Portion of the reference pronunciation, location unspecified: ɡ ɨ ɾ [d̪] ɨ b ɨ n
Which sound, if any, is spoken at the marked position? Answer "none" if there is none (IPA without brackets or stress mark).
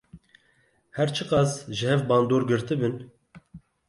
t̪